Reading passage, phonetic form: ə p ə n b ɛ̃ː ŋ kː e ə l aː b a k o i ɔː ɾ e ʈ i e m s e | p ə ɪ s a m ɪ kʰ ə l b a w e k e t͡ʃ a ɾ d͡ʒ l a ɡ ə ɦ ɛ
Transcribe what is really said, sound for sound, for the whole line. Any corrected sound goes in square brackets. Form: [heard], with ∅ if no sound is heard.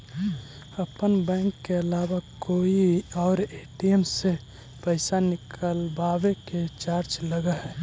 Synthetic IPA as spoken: ə p ə n b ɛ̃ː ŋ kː e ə l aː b a k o i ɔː ɾ e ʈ i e m s e | p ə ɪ s a [n] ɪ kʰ ə l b a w e k e t͡ʃ a ɾ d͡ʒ l [ə] ɡ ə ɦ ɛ